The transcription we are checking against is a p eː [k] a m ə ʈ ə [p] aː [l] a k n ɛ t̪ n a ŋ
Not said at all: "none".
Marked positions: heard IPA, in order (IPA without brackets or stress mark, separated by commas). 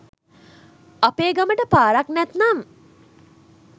ɡ, p, ɾ